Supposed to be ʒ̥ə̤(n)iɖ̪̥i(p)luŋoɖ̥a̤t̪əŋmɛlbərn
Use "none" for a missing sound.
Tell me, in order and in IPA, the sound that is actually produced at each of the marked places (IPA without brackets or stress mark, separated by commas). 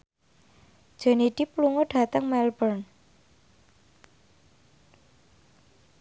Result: n, p